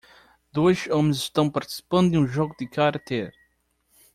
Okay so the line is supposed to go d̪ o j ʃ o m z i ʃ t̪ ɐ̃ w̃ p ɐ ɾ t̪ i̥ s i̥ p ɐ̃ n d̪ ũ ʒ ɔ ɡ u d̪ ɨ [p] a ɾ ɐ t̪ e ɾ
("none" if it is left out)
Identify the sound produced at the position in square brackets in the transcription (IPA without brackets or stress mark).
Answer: k